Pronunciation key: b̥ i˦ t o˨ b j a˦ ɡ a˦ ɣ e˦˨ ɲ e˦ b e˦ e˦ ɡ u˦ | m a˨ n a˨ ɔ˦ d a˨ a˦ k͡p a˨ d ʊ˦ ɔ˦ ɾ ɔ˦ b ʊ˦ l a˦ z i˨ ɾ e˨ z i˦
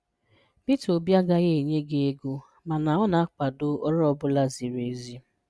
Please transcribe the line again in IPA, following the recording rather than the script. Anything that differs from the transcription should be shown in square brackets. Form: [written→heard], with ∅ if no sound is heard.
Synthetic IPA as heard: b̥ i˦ t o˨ b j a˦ ɡ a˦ ɣ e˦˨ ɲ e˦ [b→ɡ] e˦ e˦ ɡ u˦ | m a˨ n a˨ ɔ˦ [d→n] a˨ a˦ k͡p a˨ d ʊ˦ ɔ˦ ɾ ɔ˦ b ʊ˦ l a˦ z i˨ ɾ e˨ z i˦